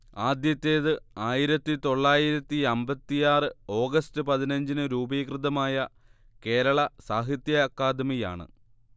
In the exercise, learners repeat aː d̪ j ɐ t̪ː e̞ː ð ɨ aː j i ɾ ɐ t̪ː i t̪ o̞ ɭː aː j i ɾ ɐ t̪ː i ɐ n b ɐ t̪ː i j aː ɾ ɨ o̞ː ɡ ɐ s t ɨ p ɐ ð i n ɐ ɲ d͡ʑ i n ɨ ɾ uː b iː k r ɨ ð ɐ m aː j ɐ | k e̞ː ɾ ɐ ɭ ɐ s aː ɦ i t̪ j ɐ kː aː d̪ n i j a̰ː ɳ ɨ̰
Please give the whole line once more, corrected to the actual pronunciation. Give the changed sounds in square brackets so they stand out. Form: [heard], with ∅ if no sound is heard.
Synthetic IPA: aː d̪ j ɐ t̪ː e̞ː ð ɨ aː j i ɾ ɐ t̪ː i t̪ o̞ ɭː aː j i ɾ ɐ t̪ː i ɐ [m] b ɐ t̪ː i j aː [r] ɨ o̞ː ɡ ɐ s t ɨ p ɐ ð i n ɐ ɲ d͡ʑ i n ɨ ɾ uː b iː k r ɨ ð ɐ m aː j ɐ | k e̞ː ɾ ɐ ɭ ɐ s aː ɦ i t̪ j ɐ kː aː d̪ [m] i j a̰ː ɳ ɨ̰